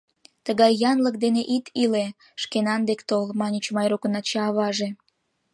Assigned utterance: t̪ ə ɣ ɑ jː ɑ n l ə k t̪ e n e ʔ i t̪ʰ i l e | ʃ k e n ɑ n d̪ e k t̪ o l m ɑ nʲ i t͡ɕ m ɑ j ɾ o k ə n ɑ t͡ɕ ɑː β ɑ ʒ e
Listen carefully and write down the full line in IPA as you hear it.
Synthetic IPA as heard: t̪ ə ɣ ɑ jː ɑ n l ə k d̪ e n e ʔ i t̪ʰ i l e | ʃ k e n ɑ n d̪ e k t̪ o l m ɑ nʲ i t͡ɕ m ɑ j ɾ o k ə n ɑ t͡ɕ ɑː β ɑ ʒ e